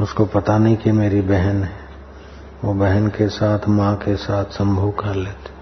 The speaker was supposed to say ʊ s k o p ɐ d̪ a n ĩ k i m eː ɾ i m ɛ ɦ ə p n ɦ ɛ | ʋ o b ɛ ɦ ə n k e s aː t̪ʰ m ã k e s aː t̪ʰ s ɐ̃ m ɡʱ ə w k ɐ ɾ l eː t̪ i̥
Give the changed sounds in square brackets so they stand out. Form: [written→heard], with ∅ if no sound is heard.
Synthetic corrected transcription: ʊ s k o p ɐ [d̪→t̪] a n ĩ k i m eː ɾ i [m→b] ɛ ɦ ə [p→∅] n ɦ ɛ | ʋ o b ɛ ɦ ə n k e s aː t̪ʰ m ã k e s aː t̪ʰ s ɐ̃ m [ɡʱ→bʱ] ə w k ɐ ɾ l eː t̪ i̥